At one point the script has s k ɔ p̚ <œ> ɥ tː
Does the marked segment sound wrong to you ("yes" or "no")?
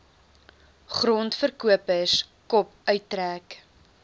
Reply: no